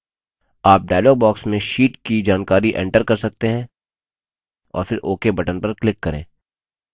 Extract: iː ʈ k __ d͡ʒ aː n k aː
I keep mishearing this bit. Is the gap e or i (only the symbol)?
i